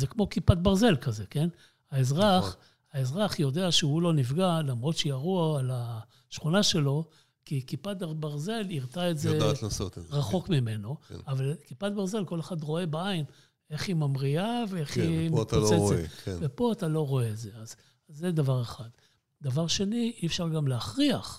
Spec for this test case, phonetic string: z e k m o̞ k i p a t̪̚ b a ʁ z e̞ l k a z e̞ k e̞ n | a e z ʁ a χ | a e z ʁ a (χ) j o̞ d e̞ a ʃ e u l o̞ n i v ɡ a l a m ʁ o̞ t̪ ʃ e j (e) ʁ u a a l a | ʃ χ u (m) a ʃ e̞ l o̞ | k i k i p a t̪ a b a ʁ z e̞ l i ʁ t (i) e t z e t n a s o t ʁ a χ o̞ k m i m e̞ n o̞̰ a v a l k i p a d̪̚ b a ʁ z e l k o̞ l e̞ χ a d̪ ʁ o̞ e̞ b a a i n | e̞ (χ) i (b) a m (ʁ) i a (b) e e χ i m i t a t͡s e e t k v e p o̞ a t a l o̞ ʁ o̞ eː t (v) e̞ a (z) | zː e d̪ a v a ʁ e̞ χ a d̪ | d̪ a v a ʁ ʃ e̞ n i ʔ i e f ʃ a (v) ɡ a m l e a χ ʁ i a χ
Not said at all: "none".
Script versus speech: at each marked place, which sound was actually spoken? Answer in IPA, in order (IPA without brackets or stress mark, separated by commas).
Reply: χ, a, n, a, χ, m, ʁ, v, z, z, ʁ